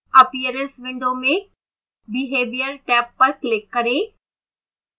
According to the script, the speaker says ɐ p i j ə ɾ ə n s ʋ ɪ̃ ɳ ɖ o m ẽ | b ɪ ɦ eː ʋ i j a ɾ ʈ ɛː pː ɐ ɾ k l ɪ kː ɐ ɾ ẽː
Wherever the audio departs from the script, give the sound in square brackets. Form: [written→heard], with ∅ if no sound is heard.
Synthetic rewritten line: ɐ p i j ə ɾ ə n s ʋ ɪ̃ ɳ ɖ o m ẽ | b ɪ ɦ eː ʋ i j [a→ə] ɾ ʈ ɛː pː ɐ ɾ k l ɪ kː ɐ ɾ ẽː

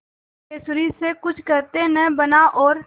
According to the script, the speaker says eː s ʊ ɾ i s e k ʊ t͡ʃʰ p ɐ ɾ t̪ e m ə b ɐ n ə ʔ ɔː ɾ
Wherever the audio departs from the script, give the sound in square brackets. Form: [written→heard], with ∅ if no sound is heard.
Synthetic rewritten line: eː s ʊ ɾ i s e k ʊ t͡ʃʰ [p→k] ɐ ɾ t̪ e [m→n] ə b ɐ n [ə→a] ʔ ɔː ɾ

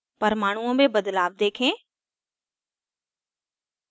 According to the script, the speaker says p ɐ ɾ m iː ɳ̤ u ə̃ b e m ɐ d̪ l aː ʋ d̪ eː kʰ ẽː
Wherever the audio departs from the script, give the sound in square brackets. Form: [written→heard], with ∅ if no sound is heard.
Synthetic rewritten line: p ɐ ɾ m [iː→aː] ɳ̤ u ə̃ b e [m→b] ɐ d̪ l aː ʋ d̪ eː kʰ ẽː

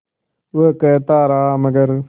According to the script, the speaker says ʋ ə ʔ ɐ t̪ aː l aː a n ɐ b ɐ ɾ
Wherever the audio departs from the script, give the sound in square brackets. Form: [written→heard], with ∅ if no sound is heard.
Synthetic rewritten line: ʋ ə [ʔ→k] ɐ t̪ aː [l→ɾ] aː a [n→m] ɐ [b→ɡ] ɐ ɾ

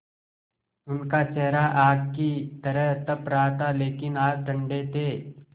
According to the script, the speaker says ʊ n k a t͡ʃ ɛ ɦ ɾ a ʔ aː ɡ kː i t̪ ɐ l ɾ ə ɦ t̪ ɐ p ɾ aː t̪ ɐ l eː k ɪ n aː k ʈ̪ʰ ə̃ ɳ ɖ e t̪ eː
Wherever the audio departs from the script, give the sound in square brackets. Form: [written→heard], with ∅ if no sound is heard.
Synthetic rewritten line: ʊ n k a t͡ʃ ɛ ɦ ɾ a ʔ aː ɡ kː i t̪ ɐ [l→∅] ɾ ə ɦ t̪ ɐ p ɾ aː t̪ [ɐ→a] l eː k ɪ n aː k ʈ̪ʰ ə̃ ɳ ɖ e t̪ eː

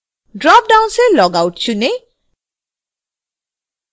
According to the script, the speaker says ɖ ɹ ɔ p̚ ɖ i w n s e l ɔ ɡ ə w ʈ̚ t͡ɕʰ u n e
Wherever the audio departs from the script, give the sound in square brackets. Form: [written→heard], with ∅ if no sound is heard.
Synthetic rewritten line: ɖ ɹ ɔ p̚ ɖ [i→a] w n s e l ɔ ɡ [ə→a] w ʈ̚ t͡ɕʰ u n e

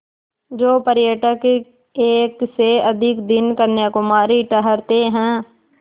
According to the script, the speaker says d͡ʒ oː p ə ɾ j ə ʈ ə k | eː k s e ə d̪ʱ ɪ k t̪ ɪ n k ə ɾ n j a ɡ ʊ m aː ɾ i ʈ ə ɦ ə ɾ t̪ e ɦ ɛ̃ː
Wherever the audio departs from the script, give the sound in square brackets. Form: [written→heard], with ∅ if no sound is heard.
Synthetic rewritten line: d͡ʒ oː p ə ɾ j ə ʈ ə k | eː k s e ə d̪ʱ ɪ k [t̪→d̪] ɪ n k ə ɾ n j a [ɡ→k] ʊ m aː ɾ i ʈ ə ɦ ə ɾ t̪ e ɦ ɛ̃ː

